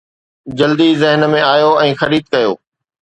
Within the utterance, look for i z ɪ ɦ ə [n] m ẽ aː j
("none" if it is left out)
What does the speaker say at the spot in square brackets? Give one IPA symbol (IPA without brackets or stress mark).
n